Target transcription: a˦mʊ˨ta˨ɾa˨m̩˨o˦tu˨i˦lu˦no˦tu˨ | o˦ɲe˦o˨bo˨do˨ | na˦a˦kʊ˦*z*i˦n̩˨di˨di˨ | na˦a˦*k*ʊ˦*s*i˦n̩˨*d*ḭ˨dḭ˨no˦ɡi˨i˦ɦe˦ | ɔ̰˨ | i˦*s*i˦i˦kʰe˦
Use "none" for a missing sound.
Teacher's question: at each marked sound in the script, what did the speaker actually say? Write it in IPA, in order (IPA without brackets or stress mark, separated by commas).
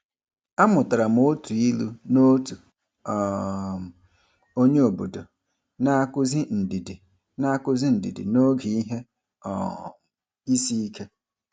z, k, z, d, s